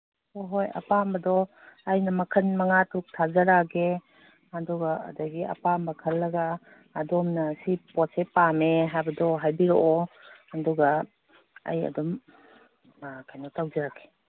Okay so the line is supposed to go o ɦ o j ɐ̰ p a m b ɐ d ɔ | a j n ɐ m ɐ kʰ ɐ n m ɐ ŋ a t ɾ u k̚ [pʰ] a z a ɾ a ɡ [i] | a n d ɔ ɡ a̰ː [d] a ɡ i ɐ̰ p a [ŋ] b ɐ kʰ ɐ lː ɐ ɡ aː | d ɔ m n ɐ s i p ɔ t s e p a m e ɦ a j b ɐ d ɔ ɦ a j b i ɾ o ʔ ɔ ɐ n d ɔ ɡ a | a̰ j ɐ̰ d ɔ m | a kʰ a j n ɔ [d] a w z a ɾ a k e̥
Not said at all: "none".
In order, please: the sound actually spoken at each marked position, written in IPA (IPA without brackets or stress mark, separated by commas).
tʰ, e, d, m, t